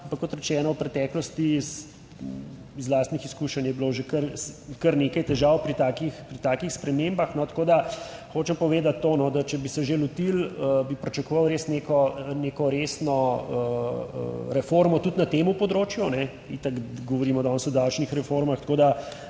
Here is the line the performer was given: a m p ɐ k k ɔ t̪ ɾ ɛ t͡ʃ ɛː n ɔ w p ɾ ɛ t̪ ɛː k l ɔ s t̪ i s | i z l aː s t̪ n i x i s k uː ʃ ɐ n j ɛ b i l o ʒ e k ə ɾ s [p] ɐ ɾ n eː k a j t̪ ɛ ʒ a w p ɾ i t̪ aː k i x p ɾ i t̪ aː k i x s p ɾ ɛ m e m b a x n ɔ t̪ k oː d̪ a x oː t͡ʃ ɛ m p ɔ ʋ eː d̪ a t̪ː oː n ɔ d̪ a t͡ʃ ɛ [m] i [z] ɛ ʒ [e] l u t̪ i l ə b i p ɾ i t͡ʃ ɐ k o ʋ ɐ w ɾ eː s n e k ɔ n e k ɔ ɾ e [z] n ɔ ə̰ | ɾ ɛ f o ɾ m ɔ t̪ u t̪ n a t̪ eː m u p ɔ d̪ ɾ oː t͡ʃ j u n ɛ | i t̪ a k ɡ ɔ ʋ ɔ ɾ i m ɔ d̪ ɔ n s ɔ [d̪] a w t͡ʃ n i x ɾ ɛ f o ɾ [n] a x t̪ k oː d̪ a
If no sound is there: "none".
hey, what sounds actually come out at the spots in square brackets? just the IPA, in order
k, b, s, e, s, d̪, m

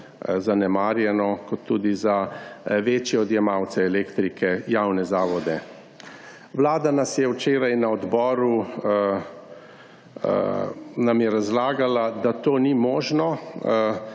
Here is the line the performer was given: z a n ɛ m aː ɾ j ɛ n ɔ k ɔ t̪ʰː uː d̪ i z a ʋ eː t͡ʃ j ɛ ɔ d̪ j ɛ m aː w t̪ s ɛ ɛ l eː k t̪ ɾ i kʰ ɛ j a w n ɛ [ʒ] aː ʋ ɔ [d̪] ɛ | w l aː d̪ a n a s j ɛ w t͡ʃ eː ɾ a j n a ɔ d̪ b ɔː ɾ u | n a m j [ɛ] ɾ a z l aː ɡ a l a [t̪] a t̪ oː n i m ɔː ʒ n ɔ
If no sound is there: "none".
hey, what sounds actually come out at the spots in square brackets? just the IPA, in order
z, d̪, ɛ, d̪

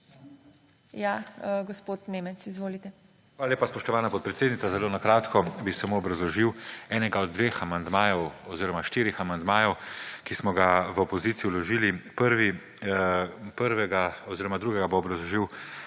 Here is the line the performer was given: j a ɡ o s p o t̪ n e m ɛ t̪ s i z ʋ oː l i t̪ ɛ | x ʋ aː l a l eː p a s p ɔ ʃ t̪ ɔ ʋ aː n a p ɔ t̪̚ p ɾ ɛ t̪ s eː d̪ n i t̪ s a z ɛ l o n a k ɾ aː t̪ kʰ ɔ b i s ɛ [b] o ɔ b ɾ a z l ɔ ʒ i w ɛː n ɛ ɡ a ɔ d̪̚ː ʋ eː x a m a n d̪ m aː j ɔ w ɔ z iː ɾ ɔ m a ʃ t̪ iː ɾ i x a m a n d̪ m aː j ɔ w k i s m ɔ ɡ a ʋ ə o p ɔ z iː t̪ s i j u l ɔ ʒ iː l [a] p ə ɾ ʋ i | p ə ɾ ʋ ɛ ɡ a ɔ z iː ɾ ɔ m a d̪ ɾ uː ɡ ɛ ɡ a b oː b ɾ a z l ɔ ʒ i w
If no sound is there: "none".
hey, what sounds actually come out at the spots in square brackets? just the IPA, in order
m, i

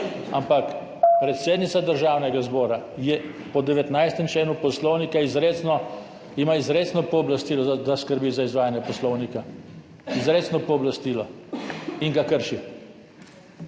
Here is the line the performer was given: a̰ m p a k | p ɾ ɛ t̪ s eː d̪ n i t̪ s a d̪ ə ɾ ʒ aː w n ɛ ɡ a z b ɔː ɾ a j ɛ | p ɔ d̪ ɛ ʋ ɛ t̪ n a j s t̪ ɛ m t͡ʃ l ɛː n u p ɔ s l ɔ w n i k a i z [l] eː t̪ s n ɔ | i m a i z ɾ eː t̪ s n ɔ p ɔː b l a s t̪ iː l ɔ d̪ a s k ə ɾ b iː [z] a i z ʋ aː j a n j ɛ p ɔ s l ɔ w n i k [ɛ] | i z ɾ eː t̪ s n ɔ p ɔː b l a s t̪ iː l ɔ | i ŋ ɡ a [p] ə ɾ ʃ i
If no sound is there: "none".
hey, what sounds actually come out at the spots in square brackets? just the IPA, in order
ɾ, z, a, k

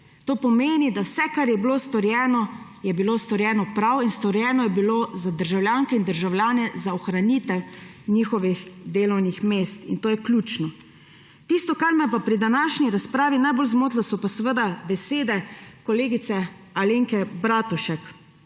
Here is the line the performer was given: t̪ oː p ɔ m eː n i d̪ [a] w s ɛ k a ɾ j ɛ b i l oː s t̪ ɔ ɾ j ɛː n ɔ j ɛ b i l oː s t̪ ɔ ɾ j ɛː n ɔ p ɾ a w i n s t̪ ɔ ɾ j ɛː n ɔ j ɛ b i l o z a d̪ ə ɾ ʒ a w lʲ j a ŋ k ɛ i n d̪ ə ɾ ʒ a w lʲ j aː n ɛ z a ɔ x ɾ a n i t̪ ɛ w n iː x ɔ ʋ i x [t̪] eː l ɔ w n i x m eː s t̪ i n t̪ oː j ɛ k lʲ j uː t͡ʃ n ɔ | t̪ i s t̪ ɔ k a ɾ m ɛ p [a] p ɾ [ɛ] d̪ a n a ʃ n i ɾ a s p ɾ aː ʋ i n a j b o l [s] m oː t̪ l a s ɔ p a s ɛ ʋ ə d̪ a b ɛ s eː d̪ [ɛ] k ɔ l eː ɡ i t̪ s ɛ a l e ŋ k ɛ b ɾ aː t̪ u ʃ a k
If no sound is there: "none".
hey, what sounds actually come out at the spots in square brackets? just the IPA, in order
a, d̪, a, i, z, ɛ

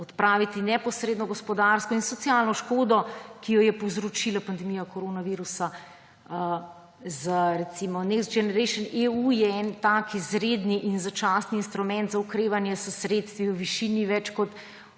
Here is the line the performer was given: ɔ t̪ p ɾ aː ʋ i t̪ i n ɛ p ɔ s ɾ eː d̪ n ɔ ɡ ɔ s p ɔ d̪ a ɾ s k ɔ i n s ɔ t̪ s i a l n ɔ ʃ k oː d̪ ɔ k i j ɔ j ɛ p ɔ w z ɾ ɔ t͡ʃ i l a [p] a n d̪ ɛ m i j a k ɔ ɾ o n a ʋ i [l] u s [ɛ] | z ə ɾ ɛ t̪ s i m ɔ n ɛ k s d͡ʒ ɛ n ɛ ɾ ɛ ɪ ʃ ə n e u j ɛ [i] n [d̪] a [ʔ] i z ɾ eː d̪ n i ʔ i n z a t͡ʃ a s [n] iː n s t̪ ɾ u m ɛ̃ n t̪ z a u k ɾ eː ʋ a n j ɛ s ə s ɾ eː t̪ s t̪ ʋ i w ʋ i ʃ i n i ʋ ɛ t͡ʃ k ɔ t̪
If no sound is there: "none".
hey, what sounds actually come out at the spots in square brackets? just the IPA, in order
p, ɾ, a, ɛ, t̪, k, n

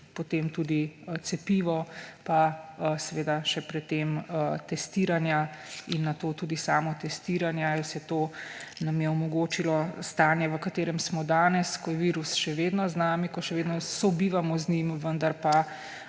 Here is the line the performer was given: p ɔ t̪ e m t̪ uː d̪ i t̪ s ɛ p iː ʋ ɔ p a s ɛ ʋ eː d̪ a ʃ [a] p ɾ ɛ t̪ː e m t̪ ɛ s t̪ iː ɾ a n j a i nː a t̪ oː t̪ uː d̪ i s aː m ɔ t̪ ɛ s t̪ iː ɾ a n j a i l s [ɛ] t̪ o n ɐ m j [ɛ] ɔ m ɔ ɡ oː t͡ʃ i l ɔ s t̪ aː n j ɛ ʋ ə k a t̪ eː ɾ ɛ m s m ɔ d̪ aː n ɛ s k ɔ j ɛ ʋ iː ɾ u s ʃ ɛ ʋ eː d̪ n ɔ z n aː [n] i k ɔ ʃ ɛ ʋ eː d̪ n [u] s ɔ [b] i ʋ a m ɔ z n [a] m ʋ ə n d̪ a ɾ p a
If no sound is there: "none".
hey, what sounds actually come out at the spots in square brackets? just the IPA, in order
ɛ, ɛ, ɛ, m, ɔ, b, i

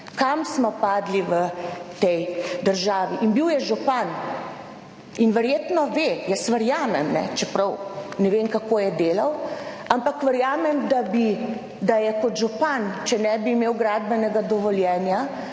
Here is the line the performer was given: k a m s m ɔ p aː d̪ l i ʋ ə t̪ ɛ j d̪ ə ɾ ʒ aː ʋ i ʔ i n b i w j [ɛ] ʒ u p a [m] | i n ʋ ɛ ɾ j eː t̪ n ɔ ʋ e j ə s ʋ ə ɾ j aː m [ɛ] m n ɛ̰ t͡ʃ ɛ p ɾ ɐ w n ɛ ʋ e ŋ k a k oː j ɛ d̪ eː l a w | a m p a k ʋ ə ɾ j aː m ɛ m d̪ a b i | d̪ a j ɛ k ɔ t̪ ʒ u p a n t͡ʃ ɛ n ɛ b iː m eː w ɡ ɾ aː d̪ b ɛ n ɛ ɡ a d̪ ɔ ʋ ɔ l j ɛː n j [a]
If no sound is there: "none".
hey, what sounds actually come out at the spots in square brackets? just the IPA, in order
ɛ, n, ɛ, a

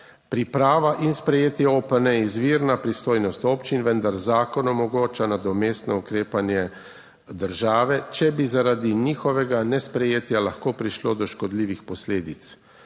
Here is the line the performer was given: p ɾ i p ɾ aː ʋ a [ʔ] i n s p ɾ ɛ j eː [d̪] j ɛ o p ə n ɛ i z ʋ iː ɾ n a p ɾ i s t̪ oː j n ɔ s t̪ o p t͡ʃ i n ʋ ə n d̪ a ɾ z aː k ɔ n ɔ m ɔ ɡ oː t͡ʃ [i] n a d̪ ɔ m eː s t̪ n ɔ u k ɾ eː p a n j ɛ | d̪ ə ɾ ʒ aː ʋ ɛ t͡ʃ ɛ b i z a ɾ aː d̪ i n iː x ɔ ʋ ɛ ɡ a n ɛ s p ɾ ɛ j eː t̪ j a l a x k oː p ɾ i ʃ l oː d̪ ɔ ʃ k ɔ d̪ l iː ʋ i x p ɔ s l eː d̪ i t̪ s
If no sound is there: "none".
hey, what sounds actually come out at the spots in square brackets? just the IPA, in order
ʔ, t̪, a

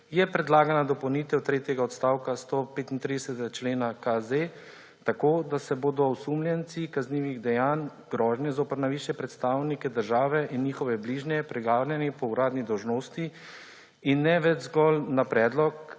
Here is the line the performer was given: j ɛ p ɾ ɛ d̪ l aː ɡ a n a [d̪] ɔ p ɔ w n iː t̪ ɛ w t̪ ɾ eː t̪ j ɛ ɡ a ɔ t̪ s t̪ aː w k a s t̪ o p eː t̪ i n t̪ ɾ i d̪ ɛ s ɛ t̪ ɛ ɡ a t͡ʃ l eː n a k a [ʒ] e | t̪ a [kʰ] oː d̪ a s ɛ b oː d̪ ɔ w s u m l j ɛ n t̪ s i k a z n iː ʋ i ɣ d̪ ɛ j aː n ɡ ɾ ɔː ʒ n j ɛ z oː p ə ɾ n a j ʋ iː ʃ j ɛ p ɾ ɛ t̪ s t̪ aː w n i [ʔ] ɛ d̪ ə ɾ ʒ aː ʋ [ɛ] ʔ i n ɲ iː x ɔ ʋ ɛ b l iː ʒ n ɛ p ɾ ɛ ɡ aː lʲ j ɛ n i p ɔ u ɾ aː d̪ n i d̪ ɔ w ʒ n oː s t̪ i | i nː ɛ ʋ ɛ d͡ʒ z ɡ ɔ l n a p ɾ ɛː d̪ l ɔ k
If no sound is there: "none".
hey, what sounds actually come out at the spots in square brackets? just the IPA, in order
d̪, z, k, k, ɛ

